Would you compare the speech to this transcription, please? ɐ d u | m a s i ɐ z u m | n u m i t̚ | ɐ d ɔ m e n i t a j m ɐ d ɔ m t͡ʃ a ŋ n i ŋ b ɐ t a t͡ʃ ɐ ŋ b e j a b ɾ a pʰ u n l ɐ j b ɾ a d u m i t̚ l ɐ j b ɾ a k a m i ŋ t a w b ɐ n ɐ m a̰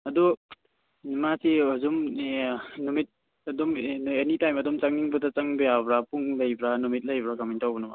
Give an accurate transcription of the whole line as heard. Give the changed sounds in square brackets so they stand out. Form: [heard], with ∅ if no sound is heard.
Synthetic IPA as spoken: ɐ d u | m a s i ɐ z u m | n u m i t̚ | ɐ d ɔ m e n i t a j m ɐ d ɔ m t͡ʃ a ŋ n i ŋ b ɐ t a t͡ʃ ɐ ŋ b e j a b ɾ a [p] u [ŋ] l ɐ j b ɾ a [n] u m i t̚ l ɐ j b ɾ a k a m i [n] t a w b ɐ n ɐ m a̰